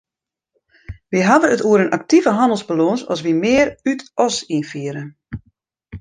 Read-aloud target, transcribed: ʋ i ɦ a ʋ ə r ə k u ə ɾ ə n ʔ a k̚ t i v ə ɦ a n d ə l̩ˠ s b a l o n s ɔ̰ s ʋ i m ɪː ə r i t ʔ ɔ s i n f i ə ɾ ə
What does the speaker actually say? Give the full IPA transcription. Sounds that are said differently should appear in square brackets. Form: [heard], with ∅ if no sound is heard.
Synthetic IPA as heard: ʋ i ɦ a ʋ ə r ə [t] u ə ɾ ə n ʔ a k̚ t i v ə ɦ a n d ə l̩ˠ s b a l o n s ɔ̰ s ʋ i m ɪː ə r [y] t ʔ ɔ s i n f i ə ɾ ə